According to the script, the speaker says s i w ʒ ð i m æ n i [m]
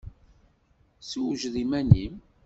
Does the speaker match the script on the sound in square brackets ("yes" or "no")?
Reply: yes